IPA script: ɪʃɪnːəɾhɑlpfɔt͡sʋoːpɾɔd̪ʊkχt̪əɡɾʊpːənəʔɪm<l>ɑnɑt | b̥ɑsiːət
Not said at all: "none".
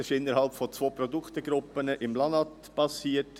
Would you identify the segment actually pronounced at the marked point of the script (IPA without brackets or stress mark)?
l